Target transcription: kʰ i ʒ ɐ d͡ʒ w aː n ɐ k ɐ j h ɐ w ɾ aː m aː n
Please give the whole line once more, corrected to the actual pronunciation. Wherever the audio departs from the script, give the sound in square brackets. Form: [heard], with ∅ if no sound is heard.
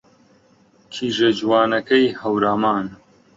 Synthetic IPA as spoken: kʰ i ʒ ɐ d͡ʒ w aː n ɐ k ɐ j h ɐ w ɾ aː m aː n